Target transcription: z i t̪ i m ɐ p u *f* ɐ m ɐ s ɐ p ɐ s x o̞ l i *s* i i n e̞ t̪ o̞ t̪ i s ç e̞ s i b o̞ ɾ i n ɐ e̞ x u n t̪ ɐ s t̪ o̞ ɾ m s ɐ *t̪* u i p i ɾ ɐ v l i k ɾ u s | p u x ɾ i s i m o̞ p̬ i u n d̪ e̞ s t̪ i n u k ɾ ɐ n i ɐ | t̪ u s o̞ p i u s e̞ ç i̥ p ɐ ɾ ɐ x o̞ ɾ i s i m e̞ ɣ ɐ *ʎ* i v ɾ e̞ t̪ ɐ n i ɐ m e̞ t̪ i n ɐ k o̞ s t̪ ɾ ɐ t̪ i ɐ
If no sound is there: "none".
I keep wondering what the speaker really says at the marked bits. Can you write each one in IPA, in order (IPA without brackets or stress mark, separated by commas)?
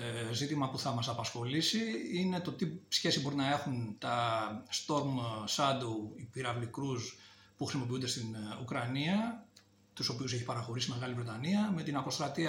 θ, s, d̪, l